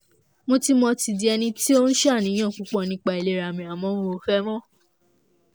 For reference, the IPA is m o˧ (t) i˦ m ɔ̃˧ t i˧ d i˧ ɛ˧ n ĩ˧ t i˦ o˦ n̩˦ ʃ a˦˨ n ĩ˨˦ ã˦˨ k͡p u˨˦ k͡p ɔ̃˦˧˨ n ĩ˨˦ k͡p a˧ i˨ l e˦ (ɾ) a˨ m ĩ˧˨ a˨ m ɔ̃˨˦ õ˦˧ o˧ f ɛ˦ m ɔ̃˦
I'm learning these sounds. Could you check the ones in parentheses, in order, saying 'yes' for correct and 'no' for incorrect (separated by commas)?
yes, yes